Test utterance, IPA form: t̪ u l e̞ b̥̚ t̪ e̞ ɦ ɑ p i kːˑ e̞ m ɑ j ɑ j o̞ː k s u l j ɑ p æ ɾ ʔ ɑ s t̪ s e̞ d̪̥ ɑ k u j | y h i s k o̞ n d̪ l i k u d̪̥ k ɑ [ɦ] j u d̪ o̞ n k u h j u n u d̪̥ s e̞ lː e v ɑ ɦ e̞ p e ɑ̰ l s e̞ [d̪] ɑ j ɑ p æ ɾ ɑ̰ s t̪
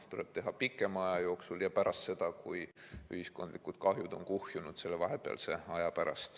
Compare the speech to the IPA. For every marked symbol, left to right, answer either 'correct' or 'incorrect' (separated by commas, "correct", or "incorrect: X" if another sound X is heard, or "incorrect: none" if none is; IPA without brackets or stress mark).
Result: correct, incorrect: none